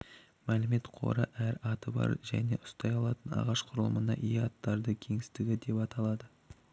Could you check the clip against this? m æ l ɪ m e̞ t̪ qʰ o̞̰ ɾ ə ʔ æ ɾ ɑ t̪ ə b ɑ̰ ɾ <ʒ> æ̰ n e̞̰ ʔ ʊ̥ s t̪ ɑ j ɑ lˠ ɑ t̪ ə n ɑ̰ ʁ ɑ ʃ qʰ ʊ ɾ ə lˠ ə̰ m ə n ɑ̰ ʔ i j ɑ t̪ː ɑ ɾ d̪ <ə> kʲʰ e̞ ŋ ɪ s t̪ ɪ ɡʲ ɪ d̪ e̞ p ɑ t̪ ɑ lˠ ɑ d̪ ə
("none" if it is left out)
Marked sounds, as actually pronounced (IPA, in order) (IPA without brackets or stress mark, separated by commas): ʒ, ə